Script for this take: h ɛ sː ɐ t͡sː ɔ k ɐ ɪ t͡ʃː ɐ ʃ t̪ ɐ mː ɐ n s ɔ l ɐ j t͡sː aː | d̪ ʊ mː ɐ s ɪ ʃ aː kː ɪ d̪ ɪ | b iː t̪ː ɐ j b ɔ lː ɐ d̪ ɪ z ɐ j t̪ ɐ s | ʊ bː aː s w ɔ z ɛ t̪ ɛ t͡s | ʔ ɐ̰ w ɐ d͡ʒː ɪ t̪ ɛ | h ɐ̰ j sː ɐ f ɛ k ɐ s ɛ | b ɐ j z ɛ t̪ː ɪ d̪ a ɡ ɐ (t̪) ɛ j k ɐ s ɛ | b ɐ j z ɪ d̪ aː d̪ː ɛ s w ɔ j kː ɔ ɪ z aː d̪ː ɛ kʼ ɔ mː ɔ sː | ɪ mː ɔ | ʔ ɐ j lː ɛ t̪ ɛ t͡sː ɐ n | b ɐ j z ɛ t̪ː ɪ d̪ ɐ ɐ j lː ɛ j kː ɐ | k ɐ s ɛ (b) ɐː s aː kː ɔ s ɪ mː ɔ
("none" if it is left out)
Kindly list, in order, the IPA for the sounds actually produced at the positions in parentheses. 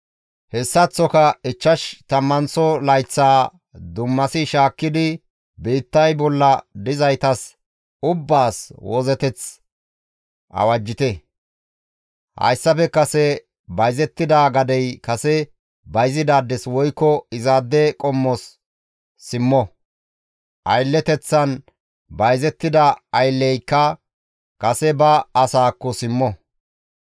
d̪, b

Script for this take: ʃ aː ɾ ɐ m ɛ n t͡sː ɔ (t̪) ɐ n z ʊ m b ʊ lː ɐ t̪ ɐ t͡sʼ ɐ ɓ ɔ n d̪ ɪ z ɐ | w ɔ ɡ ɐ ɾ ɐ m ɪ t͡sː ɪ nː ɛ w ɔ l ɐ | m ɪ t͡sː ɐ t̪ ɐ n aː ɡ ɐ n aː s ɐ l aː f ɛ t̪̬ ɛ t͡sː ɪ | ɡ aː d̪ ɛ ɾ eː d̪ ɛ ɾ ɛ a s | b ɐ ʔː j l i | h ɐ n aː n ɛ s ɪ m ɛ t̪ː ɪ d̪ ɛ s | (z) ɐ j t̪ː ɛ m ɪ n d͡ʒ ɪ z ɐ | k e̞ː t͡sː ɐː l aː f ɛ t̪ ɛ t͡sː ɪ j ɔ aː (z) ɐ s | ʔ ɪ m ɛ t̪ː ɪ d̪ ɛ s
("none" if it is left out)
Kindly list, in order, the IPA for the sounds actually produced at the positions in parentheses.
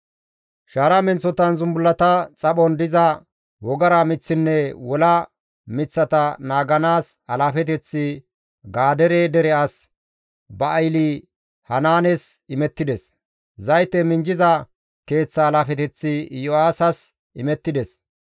t̪, z, s

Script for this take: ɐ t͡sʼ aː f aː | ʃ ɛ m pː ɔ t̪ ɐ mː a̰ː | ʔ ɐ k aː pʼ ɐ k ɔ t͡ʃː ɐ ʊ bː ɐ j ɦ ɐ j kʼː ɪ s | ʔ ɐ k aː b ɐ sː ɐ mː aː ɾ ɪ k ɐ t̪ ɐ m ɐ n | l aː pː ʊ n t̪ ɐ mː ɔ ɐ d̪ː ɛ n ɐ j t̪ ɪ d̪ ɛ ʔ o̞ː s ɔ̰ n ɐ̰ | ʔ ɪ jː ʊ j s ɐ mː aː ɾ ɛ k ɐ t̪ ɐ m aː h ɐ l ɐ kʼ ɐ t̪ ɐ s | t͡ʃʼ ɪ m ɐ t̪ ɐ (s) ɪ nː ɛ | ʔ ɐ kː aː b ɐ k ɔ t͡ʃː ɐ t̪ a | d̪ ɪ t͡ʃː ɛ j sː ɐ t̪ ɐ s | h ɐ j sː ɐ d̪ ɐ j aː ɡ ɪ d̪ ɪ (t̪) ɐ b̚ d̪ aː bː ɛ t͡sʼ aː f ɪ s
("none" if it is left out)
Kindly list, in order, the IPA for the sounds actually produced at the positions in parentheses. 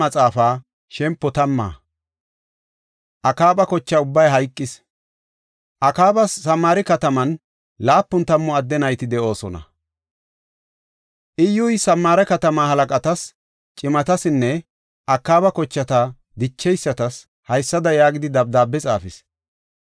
s, d̪

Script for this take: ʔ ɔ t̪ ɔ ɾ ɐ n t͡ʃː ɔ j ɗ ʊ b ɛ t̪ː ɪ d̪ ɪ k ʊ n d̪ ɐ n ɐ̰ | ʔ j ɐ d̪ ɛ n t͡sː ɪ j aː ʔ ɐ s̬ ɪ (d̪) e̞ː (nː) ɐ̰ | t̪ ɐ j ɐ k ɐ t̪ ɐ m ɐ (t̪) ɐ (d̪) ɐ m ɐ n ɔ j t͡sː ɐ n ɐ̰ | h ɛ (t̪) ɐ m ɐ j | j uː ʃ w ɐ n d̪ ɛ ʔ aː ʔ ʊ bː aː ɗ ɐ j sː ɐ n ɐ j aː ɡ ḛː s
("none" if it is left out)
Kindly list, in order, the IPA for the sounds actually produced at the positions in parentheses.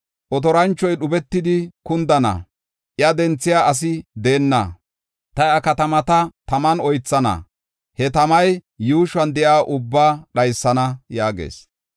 d̪, nː, t̪, t̪, t̪

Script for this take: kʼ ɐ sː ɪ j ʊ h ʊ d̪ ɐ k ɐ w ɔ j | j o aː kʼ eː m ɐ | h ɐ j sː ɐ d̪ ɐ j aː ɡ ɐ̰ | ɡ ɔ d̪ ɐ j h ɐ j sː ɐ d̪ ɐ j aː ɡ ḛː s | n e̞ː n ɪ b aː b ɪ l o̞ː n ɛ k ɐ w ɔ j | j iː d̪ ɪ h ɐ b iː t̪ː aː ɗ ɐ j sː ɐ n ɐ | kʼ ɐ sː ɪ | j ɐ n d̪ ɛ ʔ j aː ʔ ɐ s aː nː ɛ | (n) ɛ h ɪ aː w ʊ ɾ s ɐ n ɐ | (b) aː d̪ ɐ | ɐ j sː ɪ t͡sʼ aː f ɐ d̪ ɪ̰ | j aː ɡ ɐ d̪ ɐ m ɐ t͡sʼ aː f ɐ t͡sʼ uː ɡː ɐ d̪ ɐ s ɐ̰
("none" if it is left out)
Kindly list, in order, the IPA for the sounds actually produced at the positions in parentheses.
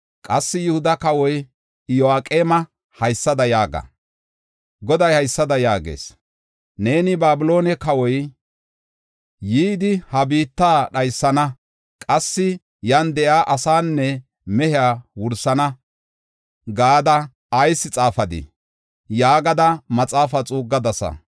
m, ɡ

